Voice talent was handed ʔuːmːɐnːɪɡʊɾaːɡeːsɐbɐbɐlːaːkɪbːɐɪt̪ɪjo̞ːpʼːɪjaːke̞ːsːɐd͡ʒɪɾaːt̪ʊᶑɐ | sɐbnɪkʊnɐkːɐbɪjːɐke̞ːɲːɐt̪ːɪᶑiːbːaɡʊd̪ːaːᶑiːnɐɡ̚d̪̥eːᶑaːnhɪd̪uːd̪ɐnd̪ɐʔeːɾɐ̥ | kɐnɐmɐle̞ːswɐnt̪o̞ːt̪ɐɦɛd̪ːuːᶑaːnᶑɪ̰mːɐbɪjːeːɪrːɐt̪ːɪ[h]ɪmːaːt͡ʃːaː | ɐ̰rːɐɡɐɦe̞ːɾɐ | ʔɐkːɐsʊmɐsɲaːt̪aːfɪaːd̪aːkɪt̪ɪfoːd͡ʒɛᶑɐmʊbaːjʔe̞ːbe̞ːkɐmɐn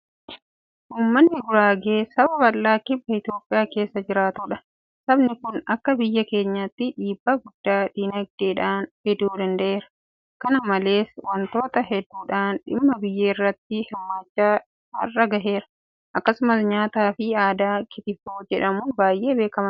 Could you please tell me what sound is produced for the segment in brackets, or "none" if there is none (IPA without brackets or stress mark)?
h